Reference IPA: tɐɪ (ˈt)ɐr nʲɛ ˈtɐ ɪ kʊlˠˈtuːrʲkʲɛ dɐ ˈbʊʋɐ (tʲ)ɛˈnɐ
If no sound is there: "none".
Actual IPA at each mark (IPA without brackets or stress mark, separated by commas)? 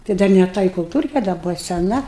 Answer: d, sʲ